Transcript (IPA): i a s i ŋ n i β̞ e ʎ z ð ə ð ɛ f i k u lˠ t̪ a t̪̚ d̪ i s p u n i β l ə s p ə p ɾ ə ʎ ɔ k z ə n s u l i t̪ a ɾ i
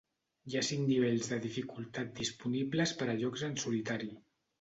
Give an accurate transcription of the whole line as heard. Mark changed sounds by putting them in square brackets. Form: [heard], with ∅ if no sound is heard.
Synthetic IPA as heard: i a s i ŋ n i β̞ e ʎ z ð ə ð [i] f i k u lˠ t̪ a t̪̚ d̪ i s p u n i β l ə s p ə [∅] ɾ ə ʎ ɔ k z ə n s u l i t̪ a ɾ i

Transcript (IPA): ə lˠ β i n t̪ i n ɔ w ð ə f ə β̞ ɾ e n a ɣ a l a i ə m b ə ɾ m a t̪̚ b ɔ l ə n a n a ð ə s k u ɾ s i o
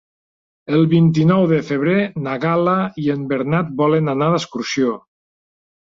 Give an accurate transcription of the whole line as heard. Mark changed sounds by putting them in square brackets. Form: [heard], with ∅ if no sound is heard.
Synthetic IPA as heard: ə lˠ β i n t̪ i n ɔ w ð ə f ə β̞ ɾ e n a ɣ a l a i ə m b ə ɾ [n] a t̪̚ b ɔ l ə n a n a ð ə s k u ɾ s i o

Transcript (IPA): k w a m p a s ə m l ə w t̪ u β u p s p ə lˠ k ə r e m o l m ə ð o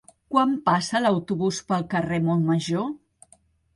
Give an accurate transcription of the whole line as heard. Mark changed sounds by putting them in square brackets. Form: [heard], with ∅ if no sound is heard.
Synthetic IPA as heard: k w a m p a s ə [∅] l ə w t̪ u β u [∅] s p ə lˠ k ə r e m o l m ə [ʒ] o

